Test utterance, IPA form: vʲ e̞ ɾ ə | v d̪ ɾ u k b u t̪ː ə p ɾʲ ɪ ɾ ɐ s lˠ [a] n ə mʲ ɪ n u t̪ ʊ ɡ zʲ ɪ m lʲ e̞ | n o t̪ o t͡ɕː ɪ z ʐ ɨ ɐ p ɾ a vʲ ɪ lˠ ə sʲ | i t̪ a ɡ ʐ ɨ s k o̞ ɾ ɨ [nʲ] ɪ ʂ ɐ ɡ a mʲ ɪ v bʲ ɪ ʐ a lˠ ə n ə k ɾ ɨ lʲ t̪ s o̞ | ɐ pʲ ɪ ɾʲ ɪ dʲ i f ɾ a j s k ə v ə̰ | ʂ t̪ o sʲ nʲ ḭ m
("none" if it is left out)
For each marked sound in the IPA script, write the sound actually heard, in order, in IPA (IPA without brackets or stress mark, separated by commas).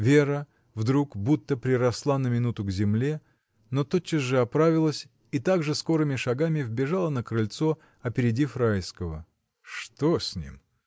a, mʲ